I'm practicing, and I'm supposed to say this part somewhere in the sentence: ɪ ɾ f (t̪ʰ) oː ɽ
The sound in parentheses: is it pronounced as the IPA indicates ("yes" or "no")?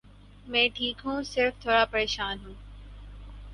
yes